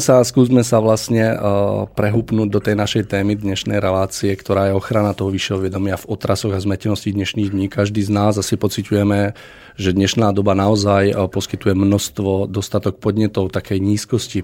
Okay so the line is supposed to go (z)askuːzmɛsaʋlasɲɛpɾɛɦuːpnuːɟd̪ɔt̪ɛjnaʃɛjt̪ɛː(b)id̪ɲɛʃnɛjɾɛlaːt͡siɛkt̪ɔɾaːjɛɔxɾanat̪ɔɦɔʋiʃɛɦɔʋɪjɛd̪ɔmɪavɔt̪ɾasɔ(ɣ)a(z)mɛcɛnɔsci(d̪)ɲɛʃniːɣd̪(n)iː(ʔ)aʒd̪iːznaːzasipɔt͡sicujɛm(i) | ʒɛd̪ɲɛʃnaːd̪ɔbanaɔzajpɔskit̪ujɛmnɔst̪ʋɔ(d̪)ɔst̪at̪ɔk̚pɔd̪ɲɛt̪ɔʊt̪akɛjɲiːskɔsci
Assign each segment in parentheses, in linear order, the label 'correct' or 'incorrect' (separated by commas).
incorrect, incorrect, correct, correct, correct, incorrect, incorrect, incorrect, correct